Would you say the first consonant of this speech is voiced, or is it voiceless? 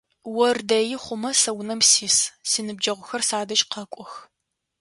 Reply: voiced